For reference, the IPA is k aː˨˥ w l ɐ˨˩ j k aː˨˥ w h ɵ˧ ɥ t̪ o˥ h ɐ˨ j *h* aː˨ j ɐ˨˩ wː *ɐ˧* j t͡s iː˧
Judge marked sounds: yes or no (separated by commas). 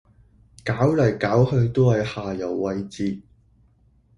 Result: yes, yes